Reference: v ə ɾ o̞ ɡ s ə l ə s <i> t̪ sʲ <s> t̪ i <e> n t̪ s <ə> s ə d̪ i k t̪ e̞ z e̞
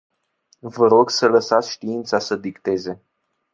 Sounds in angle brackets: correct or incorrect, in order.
incorrect, incorrect, incorrect, incorrect

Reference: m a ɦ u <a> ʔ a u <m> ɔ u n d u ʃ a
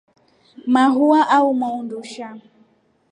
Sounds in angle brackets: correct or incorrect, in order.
correct, correct

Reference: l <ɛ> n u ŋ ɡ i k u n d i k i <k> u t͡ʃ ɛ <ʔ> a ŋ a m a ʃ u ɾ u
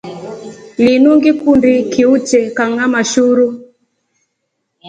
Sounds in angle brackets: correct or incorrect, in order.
incorrect, incorrect, incorrect

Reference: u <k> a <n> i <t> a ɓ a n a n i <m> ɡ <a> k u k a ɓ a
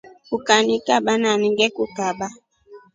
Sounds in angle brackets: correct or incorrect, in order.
correct, correct, incorrect, incorrect, incorrect

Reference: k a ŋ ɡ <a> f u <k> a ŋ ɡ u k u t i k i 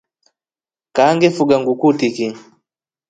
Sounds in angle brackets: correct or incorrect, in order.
incorrect, incorrect

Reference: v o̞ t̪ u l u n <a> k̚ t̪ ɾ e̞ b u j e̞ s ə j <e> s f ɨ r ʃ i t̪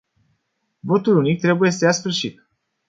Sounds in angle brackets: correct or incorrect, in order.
incorrect, incorrect

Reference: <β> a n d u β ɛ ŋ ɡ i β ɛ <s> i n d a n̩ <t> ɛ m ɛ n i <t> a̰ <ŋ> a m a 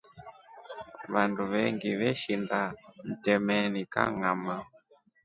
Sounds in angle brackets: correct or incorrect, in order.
correct, incorrect, correct, incorrect, correct

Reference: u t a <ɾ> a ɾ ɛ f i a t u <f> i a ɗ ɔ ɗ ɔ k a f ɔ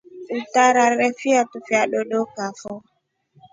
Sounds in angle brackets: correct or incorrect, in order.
correct, correct

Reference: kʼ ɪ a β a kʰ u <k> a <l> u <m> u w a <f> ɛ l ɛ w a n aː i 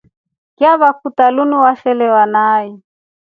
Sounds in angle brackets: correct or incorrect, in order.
incorrect, correct, incorrect, incorrect

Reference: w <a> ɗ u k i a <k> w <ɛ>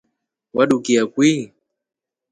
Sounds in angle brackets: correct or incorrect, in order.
correct, correct, incorrect

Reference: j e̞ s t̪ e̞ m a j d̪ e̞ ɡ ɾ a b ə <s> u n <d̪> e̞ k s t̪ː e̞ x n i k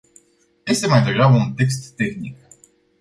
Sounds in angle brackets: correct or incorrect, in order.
incorrect, incorrect

